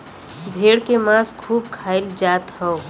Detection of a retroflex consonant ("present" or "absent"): present